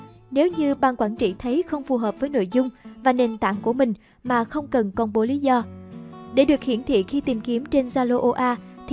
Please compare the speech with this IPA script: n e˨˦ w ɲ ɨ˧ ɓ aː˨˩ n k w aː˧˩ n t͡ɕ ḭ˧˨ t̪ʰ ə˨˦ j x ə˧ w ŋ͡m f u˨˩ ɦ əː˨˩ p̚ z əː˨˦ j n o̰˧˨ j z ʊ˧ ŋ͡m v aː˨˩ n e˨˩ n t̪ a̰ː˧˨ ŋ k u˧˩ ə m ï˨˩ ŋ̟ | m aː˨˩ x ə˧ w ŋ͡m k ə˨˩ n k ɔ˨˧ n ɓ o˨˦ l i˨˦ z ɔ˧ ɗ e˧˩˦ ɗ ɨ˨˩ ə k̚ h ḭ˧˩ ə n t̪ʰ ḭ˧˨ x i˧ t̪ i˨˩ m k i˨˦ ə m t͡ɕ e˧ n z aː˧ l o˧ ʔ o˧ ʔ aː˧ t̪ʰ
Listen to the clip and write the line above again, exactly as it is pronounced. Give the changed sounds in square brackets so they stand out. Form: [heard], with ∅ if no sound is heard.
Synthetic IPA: n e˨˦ w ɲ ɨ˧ ɓ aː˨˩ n k w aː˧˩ n t͡ɕ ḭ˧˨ t̪ʰ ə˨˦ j x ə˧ w ŋ͡m f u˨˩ ɦ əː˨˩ p̚ [v] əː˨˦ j n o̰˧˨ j z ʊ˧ ŋ͡m v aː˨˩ n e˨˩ n t̪ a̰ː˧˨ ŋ k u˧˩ ə m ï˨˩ ŋ̟ | m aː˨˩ x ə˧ w ŋ͡m k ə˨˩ n k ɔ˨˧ n ɓ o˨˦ l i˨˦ z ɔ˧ ɗ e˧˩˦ ɗ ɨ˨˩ ə k̚ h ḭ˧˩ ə n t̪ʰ ḭ˧˨ x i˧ t̪ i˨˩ m k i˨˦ ə m t͡ɕ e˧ n z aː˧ l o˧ ʔ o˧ ʔ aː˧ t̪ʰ